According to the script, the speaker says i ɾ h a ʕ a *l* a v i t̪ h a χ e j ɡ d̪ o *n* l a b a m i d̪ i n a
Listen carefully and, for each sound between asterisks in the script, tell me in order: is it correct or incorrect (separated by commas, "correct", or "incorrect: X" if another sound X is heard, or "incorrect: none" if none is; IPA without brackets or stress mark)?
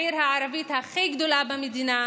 incorrect: ɾ, incorrect: none